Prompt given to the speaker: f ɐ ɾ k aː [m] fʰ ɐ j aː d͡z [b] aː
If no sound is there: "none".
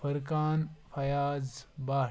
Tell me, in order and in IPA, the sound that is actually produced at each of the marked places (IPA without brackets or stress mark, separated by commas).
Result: n, b